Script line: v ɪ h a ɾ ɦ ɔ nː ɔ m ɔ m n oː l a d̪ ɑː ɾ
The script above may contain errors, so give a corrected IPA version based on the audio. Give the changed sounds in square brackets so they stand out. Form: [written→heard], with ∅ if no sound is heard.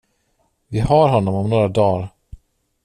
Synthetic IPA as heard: v ɪ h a ɾ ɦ ɔ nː ɔ m ɔ m n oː [l→ɾ] a d̪ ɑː ɾ